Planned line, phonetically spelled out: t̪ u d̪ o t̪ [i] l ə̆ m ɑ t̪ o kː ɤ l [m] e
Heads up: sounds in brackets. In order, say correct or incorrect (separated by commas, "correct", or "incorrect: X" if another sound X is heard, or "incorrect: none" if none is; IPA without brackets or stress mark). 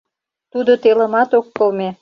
incorrect: e, correct